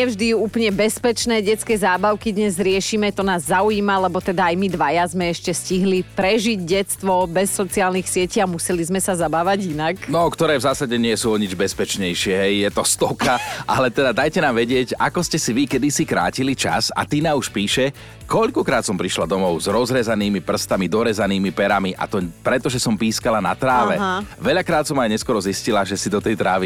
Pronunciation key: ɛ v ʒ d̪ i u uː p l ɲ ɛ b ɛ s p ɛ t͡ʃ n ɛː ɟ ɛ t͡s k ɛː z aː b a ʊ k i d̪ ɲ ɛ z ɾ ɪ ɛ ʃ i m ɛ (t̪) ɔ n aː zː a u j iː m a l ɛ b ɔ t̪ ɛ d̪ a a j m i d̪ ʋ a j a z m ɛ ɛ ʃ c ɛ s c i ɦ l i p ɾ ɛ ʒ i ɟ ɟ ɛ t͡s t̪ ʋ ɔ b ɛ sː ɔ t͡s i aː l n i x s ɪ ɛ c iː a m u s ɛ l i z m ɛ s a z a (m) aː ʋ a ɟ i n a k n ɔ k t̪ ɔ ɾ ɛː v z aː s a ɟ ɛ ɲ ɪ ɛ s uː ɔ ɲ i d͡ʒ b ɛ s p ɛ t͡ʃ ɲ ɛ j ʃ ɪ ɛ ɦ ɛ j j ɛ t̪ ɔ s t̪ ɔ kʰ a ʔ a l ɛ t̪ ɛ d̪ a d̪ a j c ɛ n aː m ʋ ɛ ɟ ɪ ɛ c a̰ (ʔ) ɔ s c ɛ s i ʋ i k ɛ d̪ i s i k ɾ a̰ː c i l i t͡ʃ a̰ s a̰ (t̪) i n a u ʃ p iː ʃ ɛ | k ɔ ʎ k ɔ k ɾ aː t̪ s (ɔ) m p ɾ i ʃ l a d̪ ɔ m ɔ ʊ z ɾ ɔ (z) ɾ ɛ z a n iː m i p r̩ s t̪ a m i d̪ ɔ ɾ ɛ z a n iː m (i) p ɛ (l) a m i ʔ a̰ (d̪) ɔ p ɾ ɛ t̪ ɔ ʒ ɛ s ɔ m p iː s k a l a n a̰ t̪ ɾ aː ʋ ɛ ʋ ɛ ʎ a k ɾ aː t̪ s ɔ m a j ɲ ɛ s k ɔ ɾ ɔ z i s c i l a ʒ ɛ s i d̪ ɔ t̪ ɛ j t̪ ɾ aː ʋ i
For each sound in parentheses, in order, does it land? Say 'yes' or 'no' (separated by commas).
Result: yes, no, no, yes, yes, yes, yes, no, no